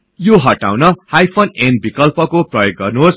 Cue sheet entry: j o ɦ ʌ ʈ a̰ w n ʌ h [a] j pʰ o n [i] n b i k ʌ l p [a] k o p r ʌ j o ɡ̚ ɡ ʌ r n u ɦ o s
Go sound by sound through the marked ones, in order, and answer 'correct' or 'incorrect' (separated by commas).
correct, incorrect, incorrect